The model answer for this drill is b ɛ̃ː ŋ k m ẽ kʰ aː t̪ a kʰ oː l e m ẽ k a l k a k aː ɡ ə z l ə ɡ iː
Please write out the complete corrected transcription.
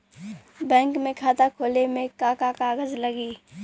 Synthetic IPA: b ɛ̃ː ŋ k m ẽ kʰ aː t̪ a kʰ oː l e m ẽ k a k a k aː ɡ ə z l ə ɡ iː